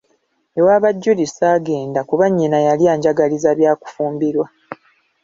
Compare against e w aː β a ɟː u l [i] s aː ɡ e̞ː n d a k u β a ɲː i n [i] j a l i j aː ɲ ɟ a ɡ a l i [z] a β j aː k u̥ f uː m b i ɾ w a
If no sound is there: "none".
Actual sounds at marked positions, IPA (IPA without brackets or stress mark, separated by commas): i, a, z